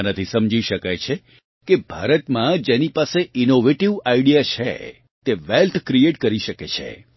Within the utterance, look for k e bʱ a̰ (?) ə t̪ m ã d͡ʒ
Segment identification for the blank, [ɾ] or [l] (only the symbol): ɾ